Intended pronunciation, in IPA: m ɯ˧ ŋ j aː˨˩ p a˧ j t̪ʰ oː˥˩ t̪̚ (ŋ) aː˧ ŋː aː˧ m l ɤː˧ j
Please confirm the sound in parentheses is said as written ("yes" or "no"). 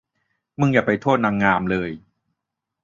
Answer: no